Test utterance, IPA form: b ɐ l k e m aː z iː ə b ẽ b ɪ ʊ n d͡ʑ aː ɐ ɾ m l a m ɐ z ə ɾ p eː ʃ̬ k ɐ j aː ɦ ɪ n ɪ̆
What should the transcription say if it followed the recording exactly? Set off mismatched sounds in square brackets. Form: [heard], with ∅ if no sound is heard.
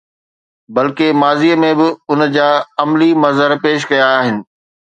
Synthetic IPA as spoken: b ɐ l k e m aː z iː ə [m] ẽ b ɪ ʊ n d͡ʑ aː ɐ [∅] m l [i] m ɐ z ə ɾ p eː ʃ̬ k ɐ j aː ɦ ɪ n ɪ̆